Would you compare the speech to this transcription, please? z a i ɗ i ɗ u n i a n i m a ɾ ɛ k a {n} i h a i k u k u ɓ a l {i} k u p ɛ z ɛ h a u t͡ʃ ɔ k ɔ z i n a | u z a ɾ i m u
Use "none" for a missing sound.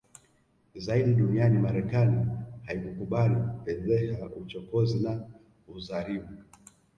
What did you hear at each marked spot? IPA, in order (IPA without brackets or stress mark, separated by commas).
n, i